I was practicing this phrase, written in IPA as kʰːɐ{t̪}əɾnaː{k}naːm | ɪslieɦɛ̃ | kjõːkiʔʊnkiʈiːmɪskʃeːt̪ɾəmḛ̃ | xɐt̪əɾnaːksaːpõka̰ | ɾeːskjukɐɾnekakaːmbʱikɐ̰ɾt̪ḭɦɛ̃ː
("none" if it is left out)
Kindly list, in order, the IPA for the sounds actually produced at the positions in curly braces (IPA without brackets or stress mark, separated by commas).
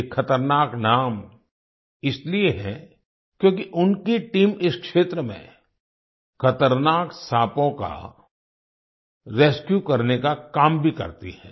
t̪, k